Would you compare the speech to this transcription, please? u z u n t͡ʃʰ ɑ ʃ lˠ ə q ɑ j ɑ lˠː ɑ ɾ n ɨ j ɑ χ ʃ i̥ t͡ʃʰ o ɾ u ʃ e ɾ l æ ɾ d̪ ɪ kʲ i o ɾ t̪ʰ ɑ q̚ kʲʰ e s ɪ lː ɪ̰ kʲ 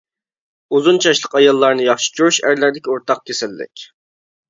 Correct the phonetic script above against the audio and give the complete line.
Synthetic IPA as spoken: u z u n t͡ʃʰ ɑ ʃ lˠ ə q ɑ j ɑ lˠː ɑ ɾ n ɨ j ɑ χ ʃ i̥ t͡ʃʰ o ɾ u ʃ æ ɾ l æ ɾ d̪ ɪ kʲ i o ɾ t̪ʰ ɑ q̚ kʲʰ e s ɪ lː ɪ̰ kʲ